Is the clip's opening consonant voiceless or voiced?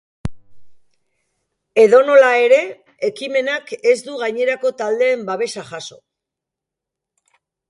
voiced